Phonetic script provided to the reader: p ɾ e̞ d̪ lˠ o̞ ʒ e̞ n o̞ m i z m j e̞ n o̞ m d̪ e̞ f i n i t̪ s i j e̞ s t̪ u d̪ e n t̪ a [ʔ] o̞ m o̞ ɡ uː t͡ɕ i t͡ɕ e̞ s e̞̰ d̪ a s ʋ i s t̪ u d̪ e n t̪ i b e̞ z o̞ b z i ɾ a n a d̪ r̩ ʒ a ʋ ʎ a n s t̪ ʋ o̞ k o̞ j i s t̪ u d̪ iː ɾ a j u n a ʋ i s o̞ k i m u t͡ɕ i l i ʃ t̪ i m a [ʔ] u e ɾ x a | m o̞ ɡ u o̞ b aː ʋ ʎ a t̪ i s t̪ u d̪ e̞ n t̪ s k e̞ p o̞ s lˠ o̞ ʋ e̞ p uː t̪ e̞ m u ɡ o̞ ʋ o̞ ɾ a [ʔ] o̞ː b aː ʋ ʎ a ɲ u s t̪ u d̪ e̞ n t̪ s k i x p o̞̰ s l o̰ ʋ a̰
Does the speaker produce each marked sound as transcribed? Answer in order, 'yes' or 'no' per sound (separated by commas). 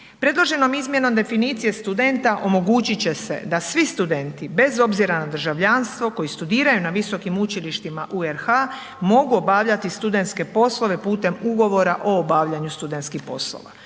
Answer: yes, yes, yes